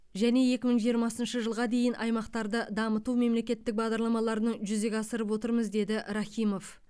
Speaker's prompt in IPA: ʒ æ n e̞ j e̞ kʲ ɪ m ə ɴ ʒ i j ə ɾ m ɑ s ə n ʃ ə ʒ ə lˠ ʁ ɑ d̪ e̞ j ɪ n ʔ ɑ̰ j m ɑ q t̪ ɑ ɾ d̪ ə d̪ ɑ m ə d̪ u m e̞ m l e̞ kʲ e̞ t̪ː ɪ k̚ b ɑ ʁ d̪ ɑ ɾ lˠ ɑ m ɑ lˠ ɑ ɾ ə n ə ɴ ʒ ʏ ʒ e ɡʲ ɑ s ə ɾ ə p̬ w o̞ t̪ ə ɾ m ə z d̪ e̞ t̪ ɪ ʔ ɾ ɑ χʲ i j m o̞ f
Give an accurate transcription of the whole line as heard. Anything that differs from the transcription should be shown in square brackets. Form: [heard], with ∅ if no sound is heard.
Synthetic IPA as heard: ʒ æ n e̞ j e̞ kʲ ɪ m ə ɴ ʒ i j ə ɾ m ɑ s ə n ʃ ə ʒ ə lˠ ʁ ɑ d̪ e̞ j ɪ n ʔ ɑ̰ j m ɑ q t̪ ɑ ɾ d̪ ə d̪ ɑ m ə [t̪] u m e̞ m l e̞ kʲ e̞ t̪ː ɪ k̚ b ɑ ʁ d̪ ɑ ɾ lˠ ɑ m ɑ lˠ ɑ ɾ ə n ə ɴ ʒ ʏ [z] e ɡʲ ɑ s ə ɾ ə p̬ w o̞ t̪ ə ɾ m ə z d̪ e̞ [d̪] ɪ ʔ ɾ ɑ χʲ i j m o̞ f